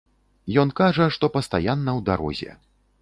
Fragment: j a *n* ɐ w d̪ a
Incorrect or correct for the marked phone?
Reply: incorrect: nː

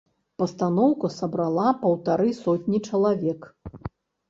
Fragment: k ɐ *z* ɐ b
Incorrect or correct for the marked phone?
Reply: incorrect: s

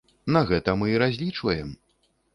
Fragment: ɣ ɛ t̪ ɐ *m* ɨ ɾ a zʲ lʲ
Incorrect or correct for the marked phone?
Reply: correct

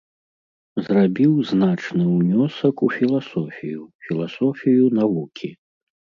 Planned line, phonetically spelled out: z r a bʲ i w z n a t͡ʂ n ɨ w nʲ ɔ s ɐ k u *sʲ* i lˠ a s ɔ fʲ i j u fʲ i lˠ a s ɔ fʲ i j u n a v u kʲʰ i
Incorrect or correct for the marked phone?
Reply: incorrect: fʲ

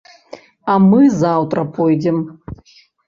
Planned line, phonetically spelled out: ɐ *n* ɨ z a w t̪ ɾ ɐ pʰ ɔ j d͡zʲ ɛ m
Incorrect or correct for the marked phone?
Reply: incorrect: m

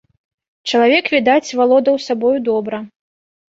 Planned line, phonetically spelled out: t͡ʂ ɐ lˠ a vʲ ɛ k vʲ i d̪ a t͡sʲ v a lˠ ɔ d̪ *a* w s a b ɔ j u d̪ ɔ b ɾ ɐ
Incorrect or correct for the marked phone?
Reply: incorrect: ɐ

